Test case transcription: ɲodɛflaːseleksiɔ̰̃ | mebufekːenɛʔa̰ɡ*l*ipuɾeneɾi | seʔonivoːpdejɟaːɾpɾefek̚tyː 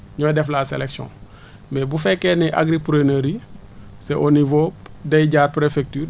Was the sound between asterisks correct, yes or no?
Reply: no